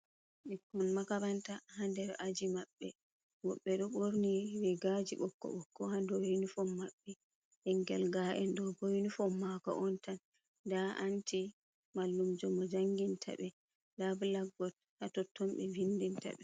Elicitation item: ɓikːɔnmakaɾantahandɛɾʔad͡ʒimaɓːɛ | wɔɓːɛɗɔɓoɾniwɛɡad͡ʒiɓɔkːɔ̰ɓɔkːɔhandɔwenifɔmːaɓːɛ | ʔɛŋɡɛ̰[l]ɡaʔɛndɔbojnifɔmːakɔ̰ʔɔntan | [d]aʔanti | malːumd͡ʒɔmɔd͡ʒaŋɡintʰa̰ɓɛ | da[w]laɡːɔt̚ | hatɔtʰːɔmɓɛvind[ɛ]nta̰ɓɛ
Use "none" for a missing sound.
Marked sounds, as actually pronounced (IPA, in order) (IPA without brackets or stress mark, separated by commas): l, d, b, i